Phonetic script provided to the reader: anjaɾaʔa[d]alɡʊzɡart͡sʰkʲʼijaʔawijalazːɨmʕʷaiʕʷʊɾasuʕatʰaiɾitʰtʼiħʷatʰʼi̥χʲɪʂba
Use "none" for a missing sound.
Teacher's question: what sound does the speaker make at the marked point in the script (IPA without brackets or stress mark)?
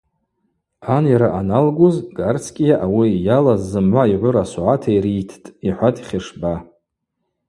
n